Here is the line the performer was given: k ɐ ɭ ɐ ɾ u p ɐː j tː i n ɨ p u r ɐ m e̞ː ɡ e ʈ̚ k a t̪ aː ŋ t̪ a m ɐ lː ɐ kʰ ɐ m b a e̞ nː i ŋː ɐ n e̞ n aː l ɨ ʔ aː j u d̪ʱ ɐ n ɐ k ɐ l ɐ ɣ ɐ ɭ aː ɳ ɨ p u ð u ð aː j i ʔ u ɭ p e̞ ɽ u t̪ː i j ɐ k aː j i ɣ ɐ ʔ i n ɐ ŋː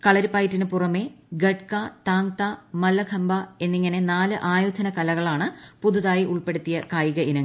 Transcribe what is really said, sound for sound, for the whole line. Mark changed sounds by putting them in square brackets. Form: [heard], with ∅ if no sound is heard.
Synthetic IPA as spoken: k ɐ ɭ ɐ ɾ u p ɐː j tː i n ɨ p u r ɐ m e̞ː ɡ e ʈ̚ k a t̪ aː ŋ t̪ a m ɐ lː ɐ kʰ ɐ m b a e̞ nː i ŋː ɐ n e̞ n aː l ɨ ʔ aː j u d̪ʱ ɐ n ɐ k ɐ l ɐ ɣ ɐ ɭ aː ɳ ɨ p u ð u ð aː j i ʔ u ɭ p e̞ ɽ u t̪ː i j ɐ k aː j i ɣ ɐ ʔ i n ɐ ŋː